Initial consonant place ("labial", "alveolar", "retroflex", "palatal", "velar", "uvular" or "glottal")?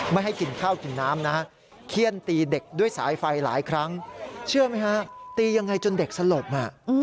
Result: labial